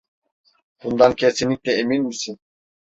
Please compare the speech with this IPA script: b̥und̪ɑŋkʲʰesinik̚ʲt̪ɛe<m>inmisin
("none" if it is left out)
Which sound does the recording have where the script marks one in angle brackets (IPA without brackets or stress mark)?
m